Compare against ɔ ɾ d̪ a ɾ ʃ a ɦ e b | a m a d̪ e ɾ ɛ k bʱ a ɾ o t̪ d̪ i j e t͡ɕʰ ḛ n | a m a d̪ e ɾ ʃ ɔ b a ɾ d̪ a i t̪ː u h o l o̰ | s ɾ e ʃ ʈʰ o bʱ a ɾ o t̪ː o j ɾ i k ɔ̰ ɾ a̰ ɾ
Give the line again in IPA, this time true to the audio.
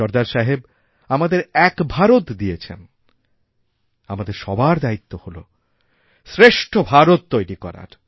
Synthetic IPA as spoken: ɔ ɾ d̪ a ɾ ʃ a ɦ e b | a m a d̪ e ɾ ɛ k bʱ a ɾ o t̪ d̪ i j e t͡ɕʰ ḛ n | a m a d̪ e ɾ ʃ ɔ b a ɾ d̪ a i t̪ː o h o l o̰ | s ɾ e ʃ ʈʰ o bʱ a ɾ o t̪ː o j ɾ i k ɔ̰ ɾ a̰ ɾ